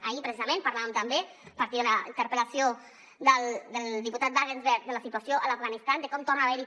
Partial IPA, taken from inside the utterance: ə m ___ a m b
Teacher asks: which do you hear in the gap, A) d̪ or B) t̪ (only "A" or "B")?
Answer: B